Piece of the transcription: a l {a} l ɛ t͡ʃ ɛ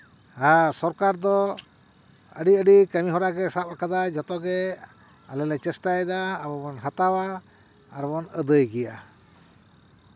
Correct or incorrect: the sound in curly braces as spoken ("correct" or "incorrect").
incorrect